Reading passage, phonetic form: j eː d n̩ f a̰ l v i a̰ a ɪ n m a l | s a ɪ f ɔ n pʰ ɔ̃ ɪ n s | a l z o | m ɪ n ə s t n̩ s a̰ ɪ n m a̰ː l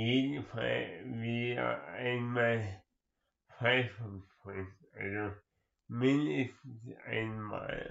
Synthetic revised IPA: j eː d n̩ f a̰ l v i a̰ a ɪ n m a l | f a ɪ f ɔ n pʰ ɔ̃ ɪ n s | a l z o | m ɪ n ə s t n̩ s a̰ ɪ n m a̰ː l